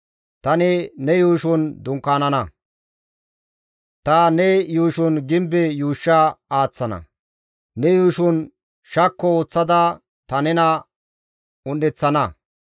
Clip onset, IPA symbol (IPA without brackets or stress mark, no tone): t̪